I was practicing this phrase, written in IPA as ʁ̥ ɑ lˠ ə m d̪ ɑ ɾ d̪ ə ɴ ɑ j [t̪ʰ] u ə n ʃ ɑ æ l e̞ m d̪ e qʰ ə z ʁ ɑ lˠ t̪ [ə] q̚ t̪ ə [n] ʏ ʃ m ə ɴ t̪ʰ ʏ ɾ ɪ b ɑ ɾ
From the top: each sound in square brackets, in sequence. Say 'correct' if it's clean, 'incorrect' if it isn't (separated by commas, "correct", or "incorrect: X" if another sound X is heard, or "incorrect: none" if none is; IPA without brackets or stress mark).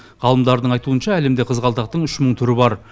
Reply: incorrect: t̪, incorrect: ɑ, incorrect: ɴ